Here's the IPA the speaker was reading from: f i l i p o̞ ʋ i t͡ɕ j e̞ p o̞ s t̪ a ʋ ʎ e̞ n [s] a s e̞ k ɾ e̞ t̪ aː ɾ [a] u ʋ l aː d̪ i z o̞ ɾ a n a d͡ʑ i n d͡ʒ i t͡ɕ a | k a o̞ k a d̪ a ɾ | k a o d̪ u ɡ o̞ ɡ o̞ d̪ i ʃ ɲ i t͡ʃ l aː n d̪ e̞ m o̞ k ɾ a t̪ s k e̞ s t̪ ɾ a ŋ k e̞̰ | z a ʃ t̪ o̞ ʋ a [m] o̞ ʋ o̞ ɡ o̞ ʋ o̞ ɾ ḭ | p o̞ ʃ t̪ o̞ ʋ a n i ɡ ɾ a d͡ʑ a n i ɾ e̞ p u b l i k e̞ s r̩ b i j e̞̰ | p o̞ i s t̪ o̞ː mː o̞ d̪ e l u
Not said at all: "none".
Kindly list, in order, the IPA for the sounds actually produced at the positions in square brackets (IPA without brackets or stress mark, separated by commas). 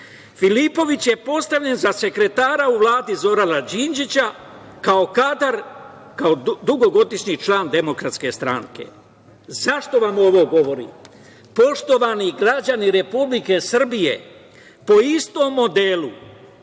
z, a, m